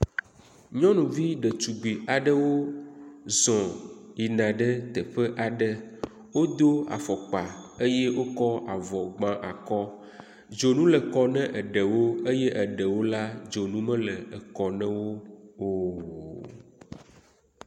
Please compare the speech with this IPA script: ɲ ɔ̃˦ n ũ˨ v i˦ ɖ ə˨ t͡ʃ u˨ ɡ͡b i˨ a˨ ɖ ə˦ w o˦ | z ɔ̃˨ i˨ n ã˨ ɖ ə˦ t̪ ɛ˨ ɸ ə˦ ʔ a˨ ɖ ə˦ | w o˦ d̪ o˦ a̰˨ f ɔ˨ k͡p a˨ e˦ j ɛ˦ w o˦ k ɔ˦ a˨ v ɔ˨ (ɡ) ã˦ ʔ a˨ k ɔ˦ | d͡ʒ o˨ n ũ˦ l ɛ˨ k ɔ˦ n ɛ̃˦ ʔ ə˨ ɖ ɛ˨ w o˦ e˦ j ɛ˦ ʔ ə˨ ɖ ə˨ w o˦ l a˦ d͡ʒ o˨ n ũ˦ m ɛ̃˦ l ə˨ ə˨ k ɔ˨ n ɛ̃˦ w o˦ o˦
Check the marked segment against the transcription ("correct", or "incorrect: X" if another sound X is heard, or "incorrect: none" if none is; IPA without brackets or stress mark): incorrect: ɡ͡b